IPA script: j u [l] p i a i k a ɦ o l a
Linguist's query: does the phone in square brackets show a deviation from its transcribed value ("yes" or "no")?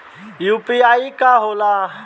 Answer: yes